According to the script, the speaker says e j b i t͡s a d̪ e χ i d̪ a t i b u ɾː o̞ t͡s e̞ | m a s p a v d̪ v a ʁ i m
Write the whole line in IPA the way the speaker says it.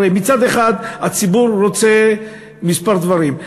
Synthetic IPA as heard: e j m i t͡s a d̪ e χ a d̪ a t͡s i b u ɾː o̞ t͡s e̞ | m i s p a ʁ d̪ v a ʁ i m